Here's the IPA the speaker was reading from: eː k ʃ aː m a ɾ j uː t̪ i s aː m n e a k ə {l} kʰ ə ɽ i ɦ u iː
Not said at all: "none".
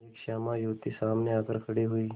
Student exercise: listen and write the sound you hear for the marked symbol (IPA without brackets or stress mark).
ɾ